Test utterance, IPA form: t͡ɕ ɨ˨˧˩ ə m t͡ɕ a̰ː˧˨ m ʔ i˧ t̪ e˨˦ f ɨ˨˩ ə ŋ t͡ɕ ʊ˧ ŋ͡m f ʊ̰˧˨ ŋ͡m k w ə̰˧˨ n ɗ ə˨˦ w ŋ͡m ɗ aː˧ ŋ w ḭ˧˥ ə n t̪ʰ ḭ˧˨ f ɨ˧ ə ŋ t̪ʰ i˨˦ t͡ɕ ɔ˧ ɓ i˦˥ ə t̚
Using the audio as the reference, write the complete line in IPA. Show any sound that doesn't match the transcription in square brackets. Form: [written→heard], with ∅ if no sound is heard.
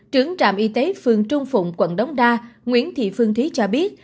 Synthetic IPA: t͡ɕ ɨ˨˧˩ ə [m→ŋ] t͡ɕ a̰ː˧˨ m ʔ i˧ t̪ e˨˦ f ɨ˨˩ ə ŋ t͡ɕ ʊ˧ ŋ͡m f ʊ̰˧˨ ŋ͡m k w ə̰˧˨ n ɗ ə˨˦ w ŋ͡m ɗ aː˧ ŋ w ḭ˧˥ ə n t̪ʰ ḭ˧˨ f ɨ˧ ə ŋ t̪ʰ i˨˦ t͡ɕ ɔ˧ ɓ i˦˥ ə t̚